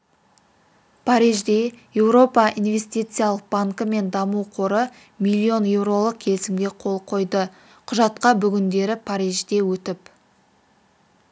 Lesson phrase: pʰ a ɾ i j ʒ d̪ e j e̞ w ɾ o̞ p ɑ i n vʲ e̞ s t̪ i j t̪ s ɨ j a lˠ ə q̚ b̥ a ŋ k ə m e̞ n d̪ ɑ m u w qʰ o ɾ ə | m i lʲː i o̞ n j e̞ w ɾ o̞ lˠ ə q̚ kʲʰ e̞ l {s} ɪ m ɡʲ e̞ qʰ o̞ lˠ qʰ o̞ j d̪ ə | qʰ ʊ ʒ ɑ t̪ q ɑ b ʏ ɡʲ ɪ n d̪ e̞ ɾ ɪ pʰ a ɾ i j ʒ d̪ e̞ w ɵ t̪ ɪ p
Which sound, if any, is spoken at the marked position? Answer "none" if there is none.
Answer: s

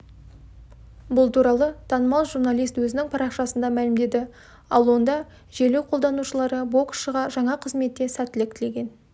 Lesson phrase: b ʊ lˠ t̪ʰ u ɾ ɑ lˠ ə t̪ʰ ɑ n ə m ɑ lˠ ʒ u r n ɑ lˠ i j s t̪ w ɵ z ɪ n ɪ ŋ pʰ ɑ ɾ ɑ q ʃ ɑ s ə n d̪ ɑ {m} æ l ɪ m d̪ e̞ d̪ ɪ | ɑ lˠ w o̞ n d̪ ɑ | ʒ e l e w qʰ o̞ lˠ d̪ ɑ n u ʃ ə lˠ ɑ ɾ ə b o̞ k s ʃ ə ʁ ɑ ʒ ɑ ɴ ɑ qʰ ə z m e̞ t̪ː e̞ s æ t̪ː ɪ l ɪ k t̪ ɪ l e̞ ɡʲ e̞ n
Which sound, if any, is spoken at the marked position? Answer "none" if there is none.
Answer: m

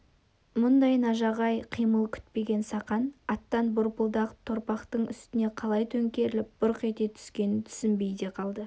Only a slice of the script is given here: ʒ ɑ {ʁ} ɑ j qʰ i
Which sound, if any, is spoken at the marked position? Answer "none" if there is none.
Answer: ʁ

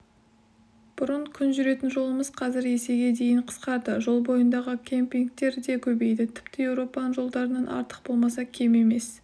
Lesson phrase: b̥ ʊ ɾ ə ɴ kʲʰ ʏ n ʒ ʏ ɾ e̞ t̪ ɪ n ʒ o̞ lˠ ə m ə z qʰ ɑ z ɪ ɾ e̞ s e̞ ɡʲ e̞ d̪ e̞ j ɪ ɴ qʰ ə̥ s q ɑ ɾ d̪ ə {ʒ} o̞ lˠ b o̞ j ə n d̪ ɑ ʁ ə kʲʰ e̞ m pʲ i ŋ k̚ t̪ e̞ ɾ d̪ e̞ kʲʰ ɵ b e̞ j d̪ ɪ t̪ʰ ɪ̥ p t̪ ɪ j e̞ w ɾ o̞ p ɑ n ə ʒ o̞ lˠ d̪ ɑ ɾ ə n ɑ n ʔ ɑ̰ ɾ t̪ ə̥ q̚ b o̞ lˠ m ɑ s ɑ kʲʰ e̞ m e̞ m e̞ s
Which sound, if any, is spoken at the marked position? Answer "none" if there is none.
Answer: ʒ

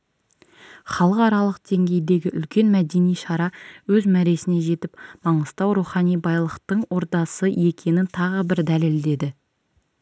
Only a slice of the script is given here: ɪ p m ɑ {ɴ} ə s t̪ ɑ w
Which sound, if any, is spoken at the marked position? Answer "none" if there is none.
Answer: ɴ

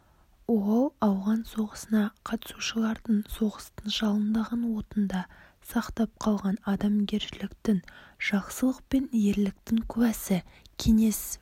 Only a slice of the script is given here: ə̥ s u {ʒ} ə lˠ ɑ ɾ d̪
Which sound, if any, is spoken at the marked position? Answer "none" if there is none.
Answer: ʃ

